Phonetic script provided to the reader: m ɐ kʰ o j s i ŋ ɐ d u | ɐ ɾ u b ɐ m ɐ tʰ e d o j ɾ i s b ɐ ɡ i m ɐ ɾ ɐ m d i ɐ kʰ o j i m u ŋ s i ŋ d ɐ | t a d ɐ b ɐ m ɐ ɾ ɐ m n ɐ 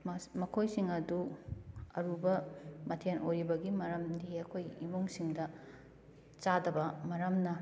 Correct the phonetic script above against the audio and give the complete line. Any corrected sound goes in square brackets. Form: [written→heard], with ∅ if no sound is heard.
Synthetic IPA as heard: m ɐ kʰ o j s i ŋ ɐ d u | ɐ ɾ u b ɐ m ɐ tʰ e [d→n] o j ɾ i [s→∅] b ɐ ɡ i m ɐ ɾ ɐ m d i ɐ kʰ o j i m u ŋ s i ŋ d ɐ | [t→t͡ʃ] a d ɐ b ɐ m ɐ ɾ ɐ m n ɐ